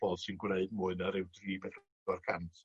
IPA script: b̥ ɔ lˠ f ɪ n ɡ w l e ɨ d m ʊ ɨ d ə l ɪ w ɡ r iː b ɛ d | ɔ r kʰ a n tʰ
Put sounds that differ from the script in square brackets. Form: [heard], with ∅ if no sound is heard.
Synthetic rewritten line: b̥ ɔ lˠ [s] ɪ n ɡ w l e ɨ d m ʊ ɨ [n] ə [ɾ] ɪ w [d] r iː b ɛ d | ɔ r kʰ a n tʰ